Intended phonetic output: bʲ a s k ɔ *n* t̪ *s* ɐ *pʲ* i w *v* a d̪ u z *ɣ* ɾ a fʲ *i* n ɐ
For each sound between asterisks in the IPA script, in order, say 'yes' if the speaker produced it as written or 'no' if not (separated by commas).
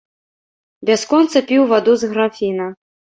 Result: yes, yes, yes, yes, yes, yes